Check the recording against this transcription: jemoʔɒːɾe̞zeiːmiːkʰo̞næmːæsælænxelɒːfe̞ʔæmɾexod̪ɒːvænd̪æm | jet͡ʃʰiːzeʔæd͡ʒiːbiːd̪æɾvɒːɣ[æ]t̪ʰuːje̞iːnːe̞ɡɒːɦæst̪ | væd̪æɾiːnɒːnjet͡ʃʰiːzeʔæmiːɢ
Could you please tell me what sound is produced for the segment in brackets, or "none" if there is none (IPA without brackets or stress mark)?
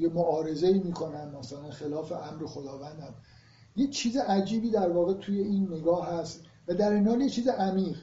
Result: e